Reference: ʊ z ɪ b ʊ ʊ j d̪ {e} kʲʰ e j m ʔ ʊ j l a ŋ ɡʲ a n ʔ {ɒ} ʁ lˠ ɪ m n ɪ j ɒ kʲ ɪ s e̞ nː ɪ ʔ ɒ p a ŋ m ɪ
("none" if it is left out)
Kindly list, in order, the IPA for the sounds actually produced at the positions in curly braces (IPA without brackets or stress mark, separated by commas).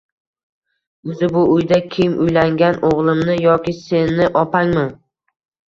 a, o